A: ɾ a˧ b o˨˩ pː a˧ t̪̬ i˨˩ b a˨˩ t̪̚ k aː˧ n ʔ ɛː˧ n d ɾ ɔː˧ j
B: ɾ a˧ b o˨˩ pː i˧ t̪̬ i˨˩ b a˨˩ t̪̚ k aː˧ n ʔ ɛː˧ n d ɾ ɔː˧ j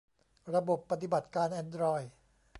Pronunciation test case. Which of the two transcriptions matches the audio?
A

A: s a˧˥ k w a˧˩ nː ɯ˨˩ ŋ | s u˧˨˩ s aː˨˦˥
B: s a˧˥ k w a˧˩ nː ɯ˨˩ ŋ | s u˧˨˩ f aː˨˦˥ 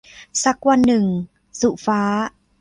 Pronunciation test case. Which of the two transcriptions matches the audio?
B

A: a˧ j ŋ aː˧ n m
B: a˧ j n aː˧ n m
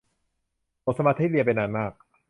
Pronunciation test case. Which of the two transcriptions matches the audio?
B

